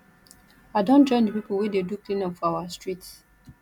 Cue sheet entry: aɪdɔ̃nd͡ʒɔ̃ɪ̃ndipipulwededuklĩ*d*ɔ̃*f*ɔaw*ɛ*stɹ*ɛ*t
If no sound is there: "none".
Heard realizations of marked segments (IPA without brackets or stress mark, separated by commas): n, f, a, i